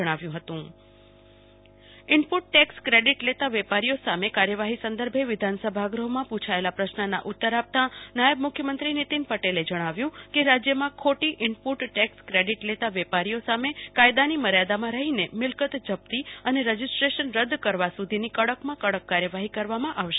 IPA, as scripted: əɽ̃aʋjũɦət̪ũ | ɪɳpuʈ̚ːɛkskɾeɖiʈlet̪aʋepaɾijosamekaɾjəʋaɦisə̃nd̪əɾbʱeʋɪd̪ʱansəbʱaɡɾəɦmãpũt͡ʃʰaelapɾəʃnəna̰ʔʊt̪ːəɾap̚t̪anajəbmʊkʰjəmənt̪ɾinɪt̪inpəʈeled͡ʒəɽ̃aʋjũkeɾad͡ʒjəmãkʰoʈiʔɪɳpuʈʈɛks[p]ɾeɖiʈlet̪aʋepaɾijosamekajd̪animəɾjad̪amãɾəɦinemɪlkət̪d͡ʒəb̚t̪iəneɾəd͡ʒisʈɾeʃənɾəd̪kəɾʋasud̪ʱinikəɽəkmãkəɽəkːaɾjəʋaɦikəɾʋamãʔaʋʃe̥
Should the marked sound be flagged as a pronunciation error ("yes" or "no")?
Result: yes